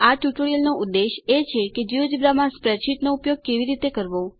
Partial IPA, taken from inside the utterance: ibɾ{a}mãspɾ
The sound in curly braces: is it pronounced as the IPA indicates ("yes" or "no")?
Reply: yes